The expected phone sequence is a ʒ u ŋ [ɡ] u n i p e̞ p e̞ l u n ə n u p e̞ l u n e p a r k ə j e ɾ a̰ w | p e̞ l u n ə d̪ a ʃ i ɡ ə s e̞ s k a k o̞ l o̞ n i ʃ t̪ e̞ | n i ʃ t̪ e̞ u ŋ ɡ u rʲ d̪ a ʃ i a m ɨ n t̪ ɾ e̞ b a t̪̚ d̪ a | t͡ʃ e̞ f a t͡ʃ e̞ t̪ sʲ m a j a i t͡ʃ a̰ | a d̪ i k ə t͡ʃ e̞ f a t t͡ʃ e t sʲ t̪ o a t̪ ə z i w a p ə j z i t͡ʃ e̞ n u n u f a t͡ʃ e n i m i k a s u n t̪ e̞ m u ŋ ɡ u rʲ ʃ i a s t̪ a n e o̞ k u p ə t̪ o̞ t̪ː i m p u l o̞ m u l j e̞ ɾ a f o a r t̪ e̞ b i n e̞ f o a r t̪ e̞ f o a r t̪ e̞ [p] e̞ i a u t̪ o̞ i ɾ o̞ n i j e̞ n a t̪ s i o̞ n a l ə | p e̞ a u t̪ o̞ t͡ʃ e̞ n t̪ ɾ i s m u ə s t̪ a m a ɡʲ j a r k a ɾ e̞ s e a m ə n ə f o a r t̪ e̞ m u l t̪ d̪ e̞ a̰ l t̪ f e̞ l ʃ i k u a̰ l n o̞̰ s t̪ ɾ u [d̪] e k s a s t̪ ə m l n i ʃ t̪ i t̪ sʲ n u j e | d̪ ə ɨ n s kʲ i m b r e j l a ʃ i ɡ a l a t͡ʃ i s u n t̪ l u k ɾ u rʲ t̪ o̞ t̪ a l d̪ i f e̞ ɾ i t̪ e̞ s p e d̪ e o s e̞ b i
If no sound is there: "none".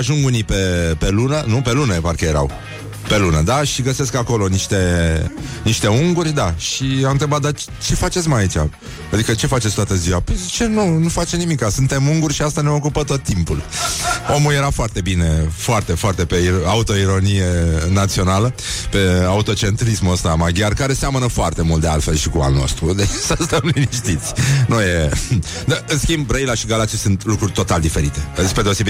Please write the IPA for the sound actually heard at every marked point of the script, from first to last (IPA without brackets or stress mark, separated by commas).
ɡ, p, d̪